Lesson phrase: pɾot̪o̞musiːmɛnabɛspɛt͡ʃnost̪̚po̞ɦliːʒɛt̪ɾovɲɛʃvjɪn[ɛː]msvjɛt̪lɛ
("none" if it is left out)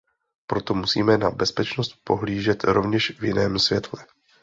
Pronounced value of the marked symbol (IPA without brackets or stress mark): ɛː